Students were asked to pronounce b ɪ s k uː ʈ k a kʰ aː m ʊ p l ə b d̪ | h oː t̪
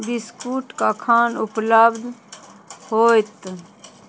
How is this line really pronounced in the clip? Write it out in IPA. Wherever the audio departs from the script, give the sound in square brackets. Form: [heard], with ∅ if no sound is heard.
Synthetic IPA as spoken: b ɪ s k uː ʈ k a kʰ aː [n] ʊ p l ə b d̪ | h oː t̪